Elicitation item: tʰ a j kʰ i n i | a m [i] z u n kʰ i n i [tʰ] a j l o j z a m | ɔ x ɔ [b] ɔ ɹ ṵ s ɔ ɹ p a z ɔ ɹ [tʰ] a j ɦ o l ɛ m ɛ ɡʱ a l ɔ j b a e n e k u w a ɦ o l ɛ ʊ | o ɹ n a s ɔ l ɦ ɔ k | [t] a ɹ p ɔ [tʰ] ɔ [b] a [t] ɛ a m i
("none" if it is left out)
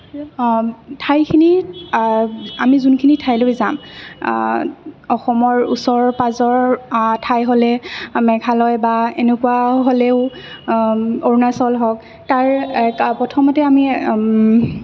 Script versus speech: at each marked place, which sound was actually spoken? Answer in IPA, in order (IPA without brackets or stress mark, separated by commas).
i, tʰ, m, tʰ, t, tʰ, m, t